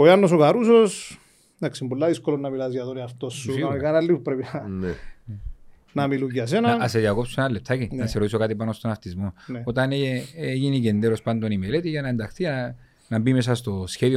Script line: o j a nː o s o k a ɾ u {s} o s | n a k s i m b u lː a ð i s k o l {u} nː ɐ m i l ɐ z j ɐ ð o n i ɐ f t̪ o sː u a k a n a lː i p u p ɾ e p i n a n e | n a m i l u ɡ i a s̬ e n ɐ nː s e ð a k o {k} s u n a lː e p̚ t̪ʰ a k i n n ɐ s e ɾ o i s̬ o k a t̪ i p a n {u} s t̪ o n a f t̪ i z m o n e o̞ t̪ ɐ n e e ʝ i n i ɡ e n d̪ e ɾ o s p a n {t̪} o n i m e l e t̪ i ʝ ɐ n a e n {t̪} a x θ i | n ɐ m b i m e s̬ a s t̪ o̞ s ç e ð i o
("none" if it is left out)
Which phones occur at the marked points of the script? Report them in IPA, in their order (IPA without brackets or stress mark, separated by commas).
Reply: s, o, p, o, d̪, d̪